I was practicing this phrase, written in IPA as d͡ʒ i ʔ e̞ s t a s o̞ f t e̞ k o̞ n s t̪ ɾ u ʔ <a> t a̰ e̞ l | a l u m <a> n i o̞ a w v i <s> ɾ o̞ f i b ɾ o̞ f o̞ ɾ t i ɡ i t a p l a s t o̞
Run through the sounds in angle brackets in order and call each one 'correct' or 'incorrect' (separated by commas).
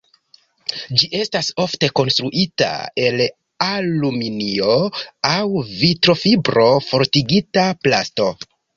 incorrect, incorrect, incorrect